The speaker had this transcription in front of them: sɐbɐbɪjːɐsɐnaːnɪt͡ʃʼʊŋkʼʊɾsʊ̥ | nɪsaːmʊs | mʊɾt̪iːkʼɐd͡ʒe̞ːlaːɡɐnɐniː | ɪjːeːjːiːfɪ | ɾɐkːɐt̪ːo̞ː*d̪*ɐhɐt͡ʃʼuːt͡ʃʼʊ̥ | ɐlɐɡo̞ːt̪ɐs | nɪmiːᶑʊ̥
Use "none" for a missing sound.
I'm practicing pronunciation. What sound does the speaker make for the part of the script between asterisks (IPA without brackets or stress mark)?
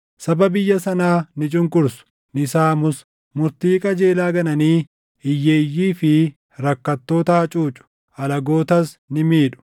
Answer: t̪